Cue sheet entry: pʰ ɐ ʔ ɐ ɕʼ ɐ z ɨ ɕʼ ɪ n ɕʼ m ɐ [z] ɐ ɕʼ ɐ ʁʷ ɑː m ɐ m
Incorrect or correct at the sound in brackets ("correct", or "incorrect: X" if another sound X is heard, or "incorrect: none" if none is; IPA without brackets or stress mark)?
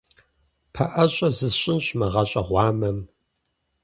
incorrect: ʁ